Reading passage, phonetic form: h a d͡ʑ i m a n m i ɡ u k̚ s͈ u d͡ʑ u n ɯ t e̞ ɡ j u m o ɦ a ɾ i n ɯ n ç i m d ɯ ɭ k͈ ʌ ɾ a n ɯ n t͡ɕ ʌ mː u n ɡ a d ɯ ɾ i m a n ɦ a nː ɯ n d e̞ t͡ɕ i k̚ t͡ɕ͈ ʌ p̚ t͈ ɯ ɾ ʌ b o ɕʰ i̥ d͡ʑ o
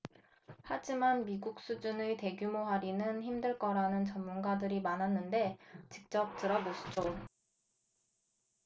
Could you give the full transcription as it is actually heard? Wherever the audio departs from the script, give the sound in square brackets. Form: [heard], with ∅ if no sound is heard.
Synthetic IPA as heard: h a d͡ʑ i m a n m i ɡ u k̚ s͈ u d͡ʑ u n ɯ t e̞ ɡ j u m o ɦ a ɾ i n ɯ n ç i m d ɯ ɭ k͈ ʌ ɾ a n ɯ n t͡ɕ ʌ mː u n ɡ a d ɯ ɾ i m a n ɦ a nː ɯ n d e̞ t͡ɕ i k̚ t͡ɕ͈ ʌ p̚ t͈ ɯ ɾ ʌ b o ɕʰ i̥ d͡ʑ o